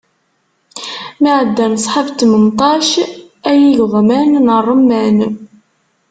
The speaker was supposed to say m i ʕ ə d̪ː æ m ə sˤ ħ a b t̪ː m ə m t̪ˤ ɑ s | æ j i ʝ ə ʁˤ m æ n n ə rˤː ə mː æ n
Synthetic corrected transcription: m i ʕ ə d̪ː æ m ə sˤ ħ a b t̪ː m ə n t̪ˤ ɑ ʃ | æ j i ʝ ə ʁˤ m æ n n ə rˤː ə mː æ n

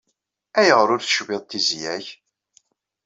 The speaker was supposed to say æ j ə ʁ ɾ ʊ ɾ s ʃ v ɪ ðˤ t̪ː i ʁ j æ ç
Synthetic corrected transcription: æ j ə ʁ ɾ ʊ ɾ θ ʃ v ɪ ðˤ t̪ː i z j æ ç

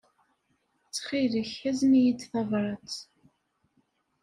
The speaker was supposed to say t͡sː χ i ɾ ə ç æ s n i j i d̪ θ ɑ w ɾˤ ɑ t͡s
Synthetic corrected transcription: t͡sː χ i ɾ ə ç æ z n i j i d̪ θ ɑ v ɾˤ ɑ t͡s

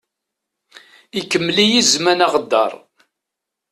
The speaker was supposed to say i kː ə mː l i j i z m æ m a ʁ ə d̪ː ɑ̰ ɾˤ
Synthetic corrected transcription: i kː ə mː l i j i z m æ n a ʁ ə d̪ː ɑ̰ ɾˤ

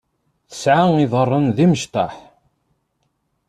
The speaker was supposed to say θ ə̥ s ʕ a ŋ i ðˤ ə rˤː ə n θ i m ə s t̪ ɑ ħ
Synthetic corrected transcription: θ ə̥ s ʕ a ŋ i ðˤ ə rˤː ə n ð i m ə ʃ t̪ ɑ ħ

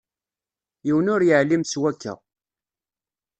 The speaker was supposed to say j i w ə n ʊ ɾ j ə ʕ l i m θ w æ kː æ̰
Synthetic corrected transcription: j i w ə n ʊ ɾ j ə ʕ l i m s w æ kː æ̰

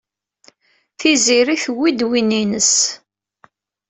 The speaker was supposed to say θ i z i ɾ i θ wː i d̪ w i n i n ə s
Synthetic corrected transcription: θ i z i ɾ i θ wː i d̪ w i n i n ə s

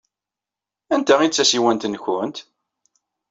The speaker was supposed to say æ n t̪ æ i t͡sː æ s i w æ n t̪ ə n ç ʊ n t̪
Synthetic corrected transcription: æ n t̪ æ i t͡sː æ s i w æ n t̪ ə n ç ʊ n t̪

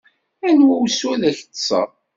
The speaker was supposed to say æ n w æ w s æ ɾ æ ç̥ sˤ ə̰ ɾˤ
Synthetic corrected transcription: æ n w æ w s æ l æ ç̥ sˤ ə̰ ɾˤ

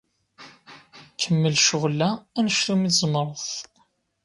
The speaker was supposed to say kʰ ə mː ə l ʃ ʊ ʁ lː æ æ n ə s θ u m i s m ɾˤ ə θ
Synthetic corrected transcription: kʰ ə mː ə l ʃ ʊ ʁ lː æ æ n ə ʃ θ u m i z m ɾˤ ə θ

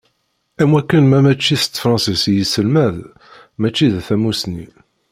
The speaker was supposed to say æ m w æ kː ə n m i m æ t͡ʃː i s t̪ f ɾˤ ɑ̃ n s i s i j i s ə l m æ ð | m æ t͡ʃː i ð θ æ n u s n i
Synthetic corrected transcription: æ m w æ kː ə n m æ m æ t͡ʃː i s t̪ f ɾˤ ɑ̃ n s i s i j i s ə l m æ ð | m æ t͡ʃː i ð θ æ m u s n i

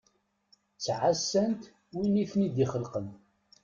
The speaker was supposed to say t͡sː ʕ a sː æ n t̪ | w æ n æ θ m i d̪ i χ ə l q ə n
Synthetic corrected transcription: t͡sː ʕ a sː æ n t̪ | w i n i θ n i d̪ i χ ə l q ə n

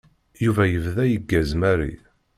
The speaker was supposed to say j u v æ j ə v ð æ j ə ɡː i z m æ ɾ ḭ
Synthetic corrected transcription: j u v æ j ə v ð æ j ə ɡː æ z m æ ɾ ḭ

